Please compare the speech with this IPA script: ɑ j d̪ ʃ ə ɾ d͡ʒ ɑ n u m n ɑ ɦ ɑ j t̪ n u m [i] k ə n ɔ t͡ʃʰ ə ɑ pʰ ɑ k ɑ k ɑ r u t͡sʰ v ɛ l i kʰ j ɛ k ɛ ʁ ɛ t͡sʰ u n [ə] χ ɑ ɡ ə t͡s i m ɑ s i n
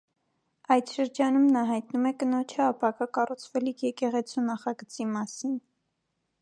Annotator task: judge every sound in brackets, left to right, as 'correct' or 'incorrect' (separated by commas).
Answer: incorrect, incorrect